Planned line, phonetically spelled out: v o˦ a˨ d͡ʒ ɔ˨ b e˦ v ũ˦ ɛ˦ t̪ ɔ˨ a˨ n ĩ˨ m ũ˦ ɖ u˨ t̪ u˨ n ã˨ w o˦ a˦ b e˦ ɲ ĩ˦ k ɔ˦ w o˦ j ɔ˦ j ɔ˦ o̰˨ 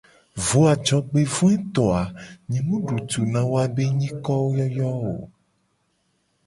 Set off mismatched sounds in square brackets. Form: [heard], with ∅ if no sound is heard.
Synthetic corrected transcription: v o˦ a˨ d͡ʒ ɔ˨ [ɡ͡b] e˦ v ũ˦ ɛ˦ t̪ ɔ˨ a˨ [ɲ] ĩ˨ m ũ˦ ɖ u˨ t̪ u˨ n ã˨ w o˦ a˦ b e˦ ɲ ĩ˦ k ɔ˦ w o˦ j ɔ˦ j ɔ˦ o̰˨